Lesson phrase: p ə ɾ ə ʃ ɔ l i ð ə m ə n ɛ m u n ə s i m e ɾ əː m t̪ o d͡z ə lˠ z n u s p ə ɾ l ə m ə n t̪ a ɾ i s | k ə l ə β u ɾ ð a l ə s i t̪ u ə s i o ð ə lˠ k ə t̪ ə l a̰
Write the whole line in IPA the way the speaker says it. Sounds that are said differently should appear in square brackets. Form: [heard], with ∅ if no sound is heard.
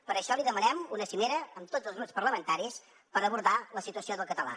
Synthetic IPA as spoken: p ə ɾ ə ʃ ɔ l i ð ə m ə n ɛ m u n ə s i m e ɾ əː m t̪ o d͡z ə lˠ z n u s p ə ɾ l ə m ə n t̪ a ɾ i s | [p] ə [ɾ] ə β u ɾ ð a l ə s i t̪ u ə s i o ð ə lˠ k ə t̪ ə l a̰